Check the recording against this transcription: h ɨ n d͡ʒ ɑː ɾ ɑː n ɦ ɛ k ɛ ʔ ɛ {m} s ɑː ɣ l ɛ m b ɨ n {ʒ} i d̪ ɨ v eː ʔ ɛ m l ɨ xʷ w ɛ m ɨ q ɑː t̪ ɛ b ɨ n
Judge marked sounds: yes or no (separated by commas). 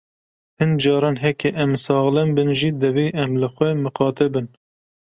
yes, yes